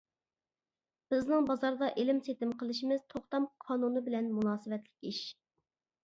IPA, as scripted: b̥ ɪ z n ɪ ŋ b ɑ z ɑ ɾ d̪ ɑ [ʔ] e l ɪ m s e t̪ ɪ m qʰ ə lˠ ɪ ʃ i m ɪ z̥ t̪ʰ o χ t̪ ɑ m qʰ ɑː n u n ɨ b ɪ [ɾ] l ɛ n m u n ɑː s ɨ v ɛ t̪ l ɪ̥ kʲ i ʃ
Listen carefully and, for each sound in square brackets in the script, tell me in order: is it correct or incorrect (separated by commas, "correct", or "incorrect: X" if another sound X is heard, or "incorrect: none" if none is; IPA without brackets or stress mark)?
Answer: correct, incorrect: none